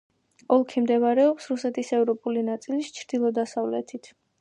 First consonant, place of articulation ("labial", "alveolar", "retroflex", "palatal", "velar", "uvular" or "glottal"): alveolar